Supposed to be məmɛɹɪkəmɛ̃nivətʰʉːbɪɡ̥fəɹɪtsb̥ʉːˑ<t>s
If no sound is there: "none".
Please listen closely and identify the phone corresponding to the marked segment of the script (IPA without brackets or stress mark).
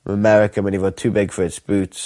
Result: t